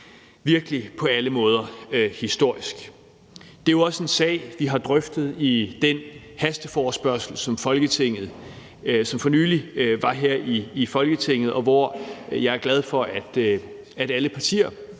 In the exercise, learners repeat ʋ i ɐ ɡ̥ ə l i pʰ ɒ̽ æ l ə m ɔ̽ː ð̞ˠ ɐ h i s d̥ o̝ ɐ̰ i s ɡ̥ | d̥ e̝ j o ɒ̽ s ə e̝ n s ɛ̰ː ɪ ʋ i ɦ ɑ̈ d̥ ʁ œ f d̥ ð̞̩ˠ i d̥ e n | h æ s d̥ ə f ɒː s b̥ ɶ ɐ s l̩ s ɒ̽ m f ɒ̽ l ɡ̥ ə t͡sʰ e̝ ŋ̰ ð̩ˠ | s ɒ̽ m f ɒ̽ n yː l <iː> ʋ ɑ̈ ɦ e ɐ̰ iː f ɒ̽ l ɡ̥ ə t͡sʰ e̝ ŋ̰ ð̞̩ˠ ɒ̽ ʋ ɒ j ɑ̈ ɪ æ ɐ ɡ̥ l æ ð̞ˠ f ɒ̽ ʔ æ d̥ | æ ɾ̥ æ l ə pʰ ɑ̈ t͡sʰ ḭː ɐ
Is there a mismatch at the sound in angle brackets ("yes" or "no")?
yes